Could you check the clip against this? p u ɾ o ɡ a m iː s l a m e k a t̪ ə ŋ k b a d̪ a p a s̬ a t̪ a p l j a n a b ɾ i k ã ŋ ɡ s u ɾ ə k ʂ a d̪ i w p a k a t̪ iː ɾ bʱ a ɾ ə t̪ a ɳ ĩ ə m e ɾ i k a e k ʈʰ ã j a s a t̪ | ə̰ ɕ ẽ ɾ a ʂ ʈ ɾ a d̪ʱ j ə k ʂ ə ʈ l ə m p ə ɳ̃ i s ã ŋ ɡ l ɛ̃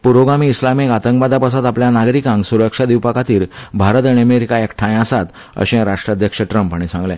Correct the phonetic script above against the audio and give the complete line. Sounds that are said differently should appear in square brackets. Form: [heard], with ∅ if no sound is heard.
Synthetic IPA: p u ɾ o ɡ a m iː s l a m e k a t̪ ə ŋ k b a d̪ a p a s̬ a t̪ a p l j a n a [ɡ] ɾ i k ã ŋ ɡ s u ɾ ə k ʂ a d̪ i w p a k a t̪ iː ɾ bʱ a ɾ ə t̪ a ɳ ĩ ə m e ɾ i k a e k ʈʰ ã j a s a t̪ | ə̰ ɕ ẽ ɾ a ʂ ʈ ɾ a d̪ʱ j ə k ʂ ə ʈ [ɾ] ə m p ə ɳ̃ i s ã ŋ ɡ l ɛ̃